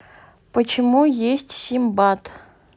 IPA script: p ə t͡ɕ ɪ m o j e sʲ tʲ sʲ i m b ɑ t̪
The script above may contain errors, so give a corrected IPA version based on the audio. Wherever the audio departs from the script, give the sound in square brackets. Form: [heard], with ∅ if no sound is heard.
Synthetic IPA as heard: p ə t͡ɕ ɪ m [u] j e sʲ tʲ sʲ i m b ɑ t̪